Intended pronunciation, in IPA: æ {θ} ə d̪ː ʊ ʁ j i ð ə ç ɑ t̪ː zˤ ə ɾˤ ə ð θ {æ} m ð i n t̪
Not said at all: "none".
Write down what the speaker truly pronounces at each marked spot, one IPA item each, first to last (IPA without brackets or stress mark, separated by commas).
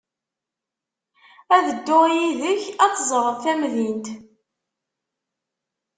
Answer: ð, æ